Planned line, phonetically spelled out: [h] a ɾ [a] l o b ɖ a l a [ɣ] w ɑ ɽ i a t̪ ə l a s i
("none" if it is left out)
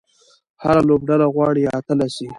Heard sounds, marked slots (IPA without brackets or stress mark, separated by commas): h, a, ɣ